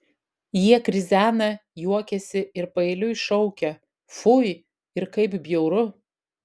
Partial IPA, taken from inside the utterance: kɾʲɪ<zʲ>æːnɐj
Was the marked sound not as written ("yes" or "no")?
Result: no